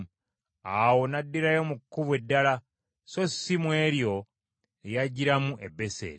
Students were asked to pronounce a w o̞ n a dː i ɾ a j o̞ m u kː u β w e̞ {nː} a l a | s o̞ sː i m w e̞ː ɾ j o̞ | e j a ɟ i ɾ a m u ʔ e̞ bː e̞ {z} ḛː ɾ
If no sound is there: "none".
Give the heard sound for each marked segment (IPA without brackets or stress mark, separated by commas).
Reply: dː, s